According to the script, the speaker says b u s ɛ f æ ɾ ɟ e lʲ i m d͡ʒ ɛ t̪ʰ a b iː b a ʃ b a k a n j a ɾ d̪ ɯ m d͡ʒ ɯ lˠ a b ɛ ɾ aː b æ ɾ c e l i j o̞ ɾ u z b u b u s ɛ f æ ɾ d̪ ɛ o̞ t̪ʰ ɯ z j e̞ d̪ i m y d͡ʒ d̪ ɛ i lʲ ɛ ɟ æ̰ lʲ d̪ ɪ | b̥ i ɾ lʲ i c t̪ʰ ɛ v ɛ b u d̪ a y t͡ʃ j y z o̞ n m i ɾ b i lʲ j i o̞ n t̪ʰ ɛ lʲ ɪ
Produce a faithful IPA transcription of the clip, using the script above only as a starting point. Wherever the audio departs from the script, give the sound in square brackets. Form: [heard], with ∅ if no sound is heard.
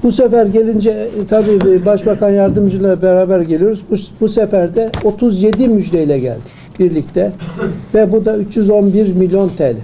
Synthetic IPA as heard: b u s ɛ f æ ɾ ɟ e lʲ i [n] d͡ʒ ɛ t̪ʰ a b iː b a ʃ b a k a n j a ɾ d̪ ɯ m d͡ʒ ɯ lˠ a b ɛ ɾ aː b æ ɾ [ɟ] e l i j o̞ ɾ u z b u b u s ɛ f æ ɾ d̪ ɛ o̞ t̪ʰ [u] z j e̞ d̪ i m y d͡ʒ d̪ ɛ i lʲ ɛ ɟ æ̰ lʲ d̪ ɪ | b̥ i ɾ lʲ i c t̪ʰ ɛ v ɛ b u d̪ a y t͡ʃ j y z o̞ n [b] i ɾ [m] i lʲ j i o̞ n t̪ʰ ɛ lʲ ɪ